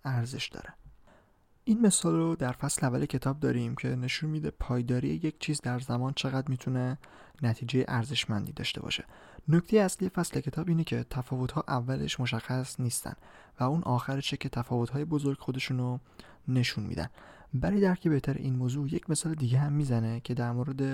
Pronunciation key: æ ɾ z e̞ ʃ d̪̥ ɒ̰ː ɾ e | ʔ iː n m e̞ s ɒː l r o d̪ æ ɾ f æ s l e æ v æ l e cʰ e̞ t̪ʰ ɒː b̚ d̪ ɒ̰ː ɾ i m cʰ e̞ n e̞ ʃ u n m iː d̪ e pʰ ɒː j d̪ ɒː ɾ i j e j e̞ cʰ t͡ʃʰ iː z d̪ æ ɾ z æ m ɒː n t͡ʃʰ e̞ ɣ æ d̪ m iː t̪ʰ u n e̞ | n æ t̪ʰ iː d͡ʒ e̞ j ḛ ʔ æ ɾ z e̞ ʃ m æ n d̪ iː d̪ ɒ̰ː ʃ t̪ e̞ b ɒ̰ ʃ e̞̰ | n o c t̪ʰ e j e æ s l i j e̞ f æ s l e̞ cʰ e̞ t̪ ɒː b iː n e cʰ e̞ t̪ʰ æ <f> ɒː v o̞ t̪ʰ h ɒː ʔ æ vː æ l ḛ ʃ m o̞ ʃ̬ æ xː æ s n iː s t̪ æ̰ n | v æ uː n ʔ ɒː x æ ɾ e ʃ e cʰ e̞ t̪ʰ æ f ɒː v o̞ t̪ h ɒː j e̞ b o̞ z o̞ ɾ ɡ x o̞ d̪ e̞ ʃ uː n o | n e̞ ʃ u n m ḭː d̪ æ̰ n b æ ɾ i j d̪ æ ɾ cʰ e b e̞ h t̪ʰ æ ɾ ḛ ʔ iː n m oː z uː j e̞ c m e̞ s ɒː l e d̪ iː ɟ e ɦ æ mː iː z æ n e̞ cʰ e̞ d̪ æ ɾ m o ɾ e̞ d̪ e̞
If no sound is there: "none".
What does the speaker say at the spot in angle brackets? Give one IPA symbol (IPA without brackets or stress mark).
f